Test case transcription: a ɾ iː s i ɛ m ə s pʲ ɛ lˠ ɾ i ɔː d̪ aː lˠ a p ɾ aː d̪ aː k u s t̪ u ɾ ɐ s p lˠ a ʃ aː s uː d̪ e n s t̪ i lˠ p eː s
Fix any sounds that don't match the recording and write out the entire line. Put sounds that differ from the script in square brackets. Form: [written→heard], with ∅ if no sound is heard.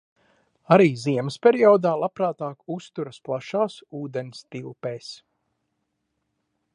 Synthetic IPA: a ɾ iː [s→z] i ɛ m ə s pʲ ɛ [lˠ→∅] ɾ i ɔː d̪ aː lˠ a p ɾ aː [d̪→t̪] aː k u s t̪ u ɾ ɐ s p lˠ a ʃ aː s uː d̪ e n s t̪ i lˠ p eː s

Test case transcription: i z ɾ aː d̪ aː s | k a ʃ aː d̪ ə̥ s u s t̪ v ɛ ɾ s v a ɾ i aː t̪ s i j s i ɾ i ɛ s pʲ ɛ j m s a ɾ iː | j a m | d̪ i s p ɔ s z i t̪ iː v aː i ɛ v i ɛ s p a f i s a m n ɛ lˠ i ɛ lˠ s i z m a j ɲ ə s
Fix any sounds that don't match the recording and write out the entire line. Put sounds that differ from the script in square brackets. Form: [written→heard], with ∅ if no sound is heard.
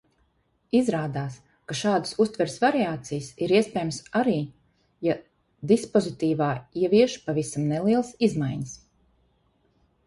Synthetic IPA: i z ɾ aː d̪ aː s | k a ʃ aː d̪ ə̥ s u s t̪ v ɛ ɾ s v a ɾ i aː t̪ s i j s i ɾ i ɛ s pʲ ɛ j m s a ɾ iː | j a [m→∅] | d̪ i s p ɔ [s→∅] z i t̪ iː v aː i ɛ v i ɛ [s→ʃ] p a [f→v] i s a m n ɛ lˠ i ɛ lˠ s i z m a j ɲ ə s

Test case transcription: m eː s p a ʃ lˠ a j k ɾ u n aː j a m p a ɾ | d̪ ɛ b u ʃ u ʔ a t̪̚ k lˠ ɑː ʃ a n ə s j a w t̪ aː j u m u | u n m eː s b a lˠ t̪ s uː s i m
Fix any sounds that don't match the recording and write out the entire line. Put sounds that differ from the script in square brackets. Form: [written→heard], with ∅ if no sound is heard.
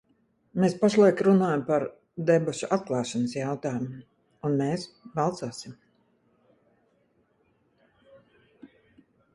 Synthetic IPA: m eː s p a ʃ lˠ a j k ɾ u n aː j a m p a ɾ | d̪ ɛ b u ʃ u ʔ a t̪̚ k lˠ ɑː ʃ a n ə s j a w t̪ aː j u m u | u n m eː s b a lˠ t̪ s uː s i m

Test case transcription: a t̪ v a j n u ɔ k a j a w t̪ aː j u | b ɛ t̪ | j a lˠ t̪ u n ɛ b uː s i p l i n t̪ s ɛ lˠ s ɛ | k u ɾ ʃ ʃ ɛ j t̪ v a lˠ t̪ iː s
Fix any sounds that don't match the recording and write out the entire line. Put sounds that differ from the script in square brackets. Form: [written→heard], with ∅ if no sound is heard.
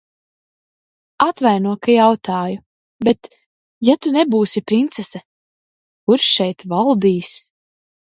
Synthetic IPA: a t̪ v a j n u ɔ k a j a w t̪ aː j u | b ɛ t̪ | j a [lˠ→∅] t̪ u n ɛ b uː s i p [l→ɾ] i n t̪ s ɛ [lˠ→∅] s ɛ | k u ɾ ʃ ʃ ɛ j t̪ v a lˠ [t̪→d̪] iː s

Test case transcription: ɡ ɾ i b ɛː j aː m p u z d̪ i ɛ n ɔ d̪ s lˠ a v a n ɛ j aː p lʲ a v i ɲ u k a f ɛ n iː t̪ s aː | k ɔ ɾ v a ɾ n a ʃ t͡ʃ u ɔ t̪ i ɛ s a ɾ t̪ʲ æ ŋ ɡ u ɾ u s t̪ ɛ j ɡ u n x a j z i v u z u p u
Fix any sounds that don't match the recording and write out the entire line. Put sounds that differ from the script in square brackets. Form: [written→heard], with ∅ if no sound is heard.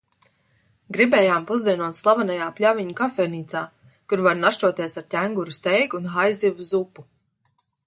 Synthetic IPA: ɡ ɾ i b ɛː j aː m p u z d̪ i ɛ n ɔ [d̪→t̪] s lˠ a v a n [ɛ→a] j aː p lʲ a v i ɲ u k a f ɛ n iː t̪ s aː | k [ɔ→u] ɾ v a ɾ n a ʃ t͡ʃ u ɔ t̪ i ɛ s a ɾ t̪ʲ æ ŋ ɡ u ɾ u s t̪ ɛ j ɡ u n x a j z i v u z u p u

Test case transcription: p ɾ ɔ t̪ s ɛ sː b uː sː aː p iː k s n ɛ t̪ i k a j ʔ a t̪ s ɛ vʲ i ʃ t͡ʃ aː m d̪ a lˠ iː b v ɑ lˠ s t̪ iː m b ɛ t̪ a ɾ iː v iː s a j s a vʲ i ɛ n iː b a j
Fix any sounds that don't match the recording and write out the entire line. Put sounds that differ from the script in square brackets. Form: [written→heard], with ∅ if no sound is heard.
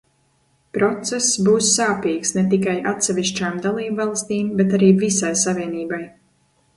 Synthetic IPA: p ɾ ɔ t̪ s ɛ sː b uː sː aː p iː k s n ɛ t̪ i k a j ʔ a t̪ s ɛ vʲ i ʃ t͡ʃ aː m d̪ a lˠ iː b v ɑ lˠ s t̪ iː m b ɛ t̪ a ɾ iː v [iː→i] s a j s a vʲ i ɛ n iː b a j

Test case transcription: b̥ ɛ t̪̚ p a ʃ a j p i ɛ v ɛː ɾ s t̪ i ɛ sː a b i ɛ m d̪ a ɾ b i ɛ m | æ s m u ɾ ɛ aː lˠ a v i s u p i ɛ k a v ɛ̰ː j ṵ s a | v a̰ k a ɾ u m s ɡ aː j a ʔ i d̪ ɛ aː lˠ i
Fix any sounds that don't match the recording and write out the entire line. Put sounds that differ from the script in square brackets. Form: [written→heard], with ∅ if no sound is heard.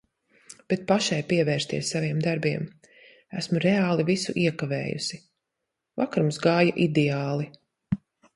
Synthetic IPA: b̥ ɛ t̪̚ p a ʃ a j p i ɛ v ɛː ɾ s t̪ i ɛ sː a [b→v] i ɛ m d̪ a ɾ b i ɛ m | æ s m u ɾ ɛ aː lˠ [a→i] v i s u [p→ʔ] i ɛ k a v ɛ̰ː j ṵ s [a→i] | v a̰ k a ɾ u m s ɡ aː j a ʔ i d̪ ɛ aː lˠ i

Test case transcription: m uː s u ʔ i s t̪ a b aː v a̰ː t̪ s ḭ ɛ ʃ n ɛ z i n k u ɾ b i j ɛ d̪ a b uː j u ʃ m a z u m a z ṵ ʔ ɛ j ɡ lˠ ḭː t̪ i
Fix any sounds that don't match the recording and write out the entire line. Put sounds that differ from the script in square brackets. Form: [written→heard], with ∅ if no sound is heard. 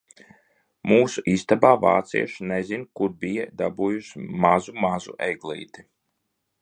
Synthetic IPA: m uː s u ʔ i s t̪ a b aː v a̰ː t̪ s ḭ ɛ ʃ n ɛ z i n k u ɾ b i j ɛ d̪ a b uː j u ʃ m a z u m a z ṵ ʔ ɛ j ɡ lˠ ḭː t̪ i

